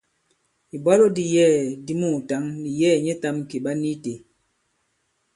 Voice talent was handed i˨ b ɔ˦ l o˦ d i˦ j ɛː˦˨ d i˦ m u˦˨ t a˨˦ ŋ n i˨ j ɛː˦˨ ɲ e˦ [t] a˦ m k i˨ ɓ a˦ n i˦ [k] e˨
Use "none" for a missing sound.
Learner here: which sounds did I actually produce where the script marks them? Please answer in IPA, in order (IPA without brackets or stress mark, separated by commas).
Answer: t, t